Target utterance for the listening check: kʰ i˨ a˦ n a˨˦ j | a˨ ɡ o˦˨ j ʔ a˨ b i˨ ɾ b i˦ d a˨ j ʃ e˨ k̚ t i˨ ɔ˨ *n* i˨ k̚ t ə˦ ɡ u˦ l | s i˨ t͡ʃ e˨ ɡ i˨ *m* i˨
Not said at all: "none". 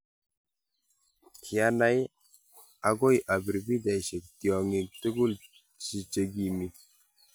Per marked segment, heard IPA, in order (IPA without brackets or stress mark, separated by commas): ŋ, m